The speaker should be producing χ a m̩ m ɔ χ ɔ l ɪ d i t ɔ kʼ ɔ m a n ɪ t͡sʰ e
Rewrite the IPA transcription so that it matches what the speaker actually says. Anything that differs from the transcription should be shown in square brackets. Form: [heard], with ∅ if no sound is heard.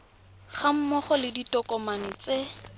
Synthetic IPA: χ a m̩ m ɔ χ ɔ l ɪ d i t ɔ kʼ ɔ m a n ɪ [t͡s] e